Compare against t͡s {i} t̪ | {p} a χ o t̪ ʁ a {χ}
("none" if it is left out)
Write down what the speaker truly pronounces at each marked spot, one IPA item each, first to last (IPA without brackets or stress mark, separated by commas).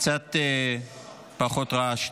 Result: a, p, ʃ